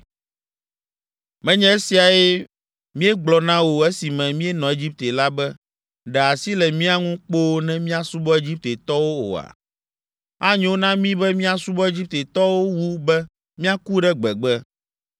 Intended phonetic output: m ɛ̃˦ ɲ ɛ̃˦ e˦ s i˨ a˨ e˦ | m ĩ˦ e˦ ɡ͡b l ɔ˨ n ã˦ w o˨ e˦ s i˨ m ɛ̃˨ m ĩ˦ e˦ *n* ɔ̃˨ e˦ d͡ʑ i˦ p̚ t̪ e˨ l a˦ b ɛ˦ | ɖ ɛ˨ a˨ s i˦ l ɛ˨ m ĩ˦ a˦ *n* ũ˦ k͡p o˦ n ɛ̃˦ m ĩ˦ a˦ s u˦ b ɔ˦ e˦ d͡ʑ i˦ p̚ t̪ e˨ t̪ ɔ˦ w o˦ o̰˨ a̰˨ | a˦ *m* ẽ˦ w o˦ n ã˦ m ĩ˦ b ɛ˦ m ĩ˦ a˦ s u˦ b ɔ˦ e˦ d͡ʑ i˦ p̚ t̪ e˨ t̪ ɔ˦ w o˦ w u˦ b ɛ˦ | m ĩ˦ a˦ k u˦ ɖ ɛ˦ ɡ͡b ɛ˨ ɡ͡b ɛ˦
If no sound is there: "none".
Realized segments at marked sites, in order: n, ŋ, ɲ

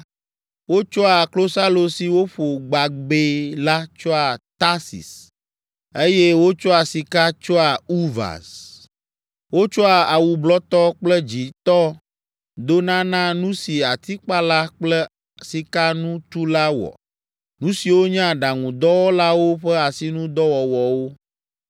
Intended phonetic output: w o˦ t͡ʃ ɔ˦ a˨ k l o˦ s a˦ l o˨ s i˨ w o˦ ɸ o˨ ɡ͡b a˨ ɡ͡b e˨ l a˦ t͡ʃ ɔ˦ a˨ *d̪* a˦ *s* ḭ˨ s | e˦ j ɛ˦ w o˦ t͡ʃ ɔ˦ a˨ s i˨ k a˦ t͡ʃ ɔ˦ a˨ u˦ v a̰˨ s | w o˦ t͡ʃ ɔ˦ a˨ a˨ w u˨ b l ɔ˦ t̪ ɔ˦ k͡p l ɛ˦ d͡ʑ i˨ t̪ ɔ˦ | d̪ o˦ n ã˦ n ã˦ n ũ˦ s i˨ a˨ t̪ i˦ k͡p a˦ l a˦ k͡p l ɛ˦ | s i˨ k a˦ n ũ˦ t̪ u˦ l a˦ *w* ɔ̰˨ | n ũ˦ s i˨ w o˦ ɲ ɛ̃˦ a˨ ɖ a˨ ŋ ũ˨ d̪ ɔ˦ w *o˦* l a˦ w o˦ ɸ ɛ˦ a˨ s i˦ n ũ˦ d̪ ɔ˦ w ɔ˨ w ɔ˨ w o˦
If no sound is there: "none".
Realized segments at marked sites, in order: t̪, s, w, ɔ˦

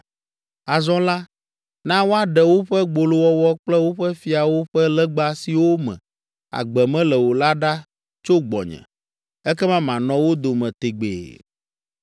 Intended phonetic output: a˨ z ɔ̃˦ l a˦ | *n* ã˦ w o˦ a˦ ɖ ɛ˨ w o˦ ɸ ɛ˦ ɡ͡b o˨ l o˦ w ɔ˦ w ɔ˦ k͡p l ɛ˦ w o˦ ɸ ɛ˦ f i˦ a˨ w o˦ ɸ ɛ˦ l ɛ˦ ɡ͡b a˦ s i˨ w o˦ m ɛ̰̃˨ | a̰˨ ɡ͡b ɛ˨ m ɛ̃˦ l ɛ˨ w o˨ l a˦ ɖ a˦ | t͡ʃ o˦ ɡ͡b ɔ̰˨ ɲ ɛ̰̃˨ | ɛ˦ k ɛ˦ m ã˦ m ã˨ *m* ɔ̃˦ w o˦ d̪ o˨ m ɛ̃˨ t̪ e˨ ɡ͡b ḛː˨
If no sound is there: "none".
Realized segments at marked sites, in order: n, n

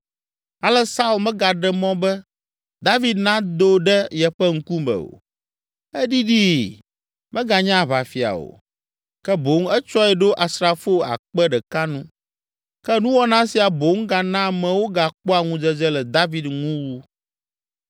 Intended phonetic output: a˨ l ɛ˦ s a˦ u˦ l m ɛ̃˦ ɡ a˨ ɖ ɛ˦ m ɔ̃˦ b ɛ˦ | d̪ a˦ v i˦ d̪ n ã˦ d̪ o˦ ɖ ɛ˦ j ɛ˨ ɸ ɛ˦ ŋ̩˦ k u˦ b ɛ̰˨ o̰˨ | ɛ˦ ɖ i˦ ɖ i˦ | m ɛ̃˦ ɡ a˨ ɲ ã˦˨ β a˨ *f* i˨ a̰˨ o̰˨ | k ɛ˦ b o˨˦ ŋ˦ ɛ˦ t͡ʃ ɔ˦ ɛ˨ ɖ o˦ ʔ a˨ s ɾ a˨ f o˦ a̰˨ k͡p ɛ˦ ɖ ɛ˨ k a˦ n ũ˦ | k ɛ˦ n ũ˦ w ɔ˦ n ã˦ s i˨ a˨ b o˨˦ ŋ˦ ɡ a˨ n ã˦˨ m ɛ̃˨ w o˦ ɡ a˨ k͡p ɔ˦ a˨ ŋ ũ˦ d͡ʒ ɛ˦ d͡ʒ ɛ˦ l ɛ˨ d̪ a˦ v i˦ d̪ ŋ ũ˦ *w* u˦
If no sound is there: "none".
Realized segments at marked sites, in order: f, w

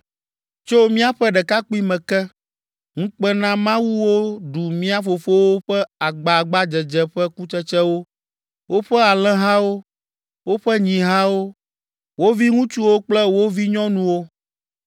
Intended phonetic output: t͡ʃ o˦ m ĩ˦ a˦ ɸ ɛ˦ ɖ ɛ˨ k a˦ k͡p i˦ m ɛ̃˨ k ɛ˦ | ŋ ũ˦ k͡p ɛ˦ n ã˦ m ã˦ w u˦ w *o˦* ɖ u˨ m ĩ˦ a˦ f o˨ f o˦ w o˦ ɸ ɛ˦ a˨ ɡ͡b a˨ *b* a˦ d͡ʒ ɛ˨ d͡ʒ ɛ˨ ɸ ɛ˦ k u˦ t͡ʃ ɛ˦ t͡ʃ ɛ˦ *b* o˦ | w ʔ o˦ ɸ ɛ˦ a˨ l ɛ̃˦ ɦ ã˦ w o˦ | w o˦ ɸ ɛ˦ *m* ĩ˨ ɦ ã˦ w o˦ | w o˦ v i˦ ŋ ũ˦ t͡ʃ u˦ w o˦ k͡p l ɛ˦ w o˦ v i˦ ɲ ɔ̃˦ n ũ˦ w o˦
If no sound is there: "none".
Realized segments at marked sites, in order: o˦, ɡ͡b, w, ɲ

